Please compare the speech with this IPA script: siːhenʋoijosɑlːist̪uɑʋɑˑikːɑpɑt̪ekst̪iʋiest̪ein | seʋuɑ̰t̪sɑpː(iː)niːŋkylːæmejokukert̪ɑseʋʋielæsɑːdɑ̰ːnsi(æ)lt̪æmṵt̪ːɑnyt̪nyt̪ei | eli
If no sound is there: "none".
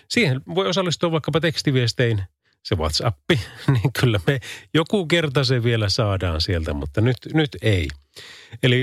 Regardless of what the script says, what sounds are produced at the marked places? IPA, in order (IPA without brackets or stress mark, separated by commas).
i, e